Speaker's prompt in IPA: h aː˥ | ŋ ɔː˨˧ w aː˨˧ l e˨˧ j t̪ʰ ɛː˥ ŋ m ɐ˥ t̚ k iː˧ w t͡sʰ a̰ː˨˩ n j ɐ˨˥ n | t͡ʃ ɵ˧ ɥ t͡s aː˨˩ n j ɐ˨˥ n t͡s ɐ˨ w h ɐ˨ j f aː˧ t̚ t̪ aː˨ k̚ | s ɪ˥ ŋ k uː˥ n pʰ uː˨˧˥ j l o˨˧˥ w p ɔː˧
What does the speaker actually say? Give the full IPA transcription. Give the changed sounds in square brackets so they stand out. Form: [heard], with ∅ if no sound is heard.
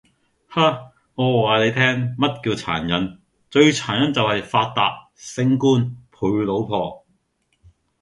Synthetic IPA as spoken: h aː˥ | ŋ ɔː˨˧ w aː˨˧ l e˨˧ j t̪ʰ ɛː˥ ŋ m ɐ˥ t̚ k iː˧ w t͡sʰ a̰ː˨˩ n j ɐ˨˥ n | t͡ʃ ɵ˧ ɥ [t͡sʰ] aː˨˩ n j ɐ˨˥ n t͡s ɐ˨ w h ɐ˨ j f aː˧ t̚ t̪ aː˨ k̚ | s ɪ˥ ŋ k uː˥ n pʰ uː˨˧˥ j l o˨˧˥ w [pʰ] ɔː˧